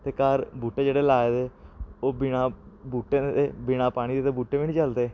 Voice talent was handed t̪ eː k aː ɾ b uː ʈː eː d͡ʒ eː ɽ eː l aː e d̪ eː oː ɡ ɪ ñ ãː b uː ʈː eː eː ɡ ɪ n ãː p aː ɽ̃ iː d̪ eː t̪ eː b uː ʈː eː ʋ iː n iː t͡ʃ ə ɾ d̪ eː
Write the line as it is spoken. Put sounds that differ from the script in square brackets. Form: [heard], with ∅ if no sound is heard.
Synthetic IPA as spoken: t̪ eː k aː ɾ b uː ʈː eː d͡ʒ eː ɽ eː l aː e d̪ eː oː [b] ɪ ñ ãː b uː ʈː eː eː [b] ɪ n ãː p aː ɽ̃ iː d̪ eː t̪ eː b uː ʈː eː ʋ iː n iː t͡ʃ ə [l] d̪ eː